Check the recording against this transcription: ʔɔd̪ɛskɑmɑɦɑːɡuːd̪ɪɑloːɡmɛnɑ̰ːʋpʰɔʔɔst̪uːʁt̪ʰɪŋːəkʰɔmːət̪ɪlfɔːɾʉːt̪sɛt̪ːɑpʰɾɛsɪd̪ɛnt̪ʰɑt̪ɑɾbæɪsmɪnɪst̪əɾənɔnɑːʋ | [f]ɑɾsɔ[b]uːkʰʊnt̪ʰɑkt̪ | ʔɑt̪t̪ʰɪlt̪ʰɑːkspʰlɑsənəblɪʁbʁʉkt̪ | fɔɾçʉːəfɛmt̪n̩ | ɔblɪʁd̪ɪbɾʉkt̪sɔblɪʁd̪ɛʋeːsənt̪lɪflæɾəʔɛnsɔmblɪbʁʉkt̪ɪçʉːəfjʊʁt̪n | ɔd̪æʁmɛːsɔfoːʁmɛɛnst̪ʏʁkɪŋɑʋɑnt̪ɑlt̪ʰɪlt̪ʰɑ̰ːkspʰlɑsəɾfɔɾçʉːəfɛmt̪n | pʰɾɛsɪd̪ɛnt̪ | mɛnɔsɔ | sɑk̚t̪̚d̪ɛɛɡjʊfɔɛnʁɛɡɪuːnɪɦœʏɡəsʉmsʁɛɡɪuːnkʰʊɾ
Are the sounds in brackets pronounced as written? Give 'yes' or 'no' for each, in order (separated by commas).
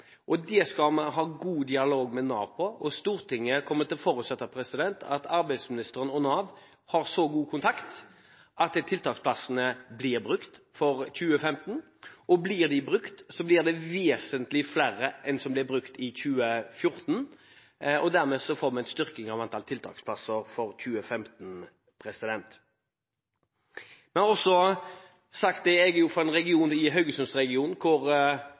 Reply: no, no